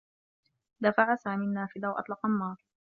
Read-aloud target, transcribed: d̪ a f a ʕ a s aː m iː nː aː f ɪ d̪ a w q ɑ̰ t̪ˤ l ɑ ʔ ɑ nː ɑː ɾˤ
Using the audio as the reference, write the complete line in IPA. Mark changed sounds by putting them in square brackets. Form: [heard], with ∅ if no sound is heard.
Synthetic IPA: d̪ a f a ʕ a s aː m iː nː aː f ɪ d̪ a w [ʔ] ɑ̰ t̪ˤ l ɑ [q] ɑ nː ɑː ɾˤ